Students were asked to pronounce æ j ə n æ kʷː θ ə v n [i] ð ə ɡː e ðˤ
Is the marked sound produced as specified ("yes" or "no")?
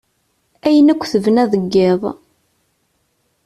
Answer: no